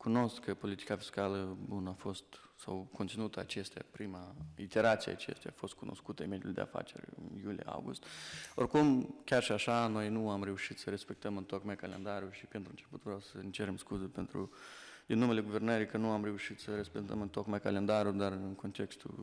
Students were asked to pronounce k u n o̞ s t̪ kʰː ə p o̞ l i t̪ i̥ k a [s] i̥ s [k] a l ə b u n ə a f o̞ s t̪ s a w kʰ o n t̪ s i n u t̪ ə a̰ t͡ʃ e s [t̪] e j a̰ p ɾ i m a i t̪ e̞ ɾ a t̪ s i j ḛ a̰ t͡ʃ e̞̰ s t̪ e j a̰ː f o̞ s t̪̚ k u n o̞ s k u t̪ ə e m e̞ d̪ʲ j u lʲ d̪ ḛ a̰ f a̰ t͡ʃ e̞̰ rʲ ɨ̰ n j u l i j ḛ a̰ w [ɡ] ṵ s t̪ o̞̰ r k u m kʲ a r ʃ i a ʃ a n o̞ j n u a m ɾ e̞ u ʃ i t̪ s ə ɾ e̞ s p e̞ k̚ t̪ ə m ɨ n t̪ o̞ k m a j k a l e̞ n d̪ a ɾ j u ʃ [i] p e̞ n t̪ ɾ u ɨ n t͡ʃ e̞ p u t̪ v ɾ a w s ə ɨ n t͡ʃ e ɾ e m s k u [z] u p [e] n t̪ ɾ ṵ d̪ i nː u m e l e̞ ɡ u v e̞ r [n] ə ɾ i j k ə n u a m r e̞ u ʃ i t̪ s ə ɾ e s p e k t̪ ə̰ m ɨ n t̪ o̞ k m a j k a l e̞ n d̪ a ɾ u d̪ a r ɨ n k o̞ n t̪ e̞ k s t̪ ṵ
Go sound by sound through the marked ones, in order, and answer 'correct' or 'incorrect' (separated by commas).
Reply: incorrect, correct, correct, correct, correct, correct, correct, correct